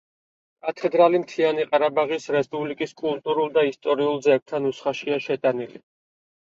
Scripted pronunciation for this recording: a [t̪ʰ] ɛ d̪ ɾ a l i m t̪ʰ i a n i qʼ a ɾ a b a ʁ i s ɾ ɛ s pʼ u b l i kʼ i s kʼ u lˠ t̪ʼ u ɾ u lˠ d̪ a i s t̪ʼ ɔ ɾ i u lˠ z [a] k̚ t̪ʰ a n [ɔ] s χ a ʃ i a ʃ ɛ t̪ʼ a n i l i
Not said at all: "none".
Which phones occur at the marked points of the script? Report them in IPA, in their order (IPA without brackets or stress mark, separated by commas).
t̪ʰ, ɛ, u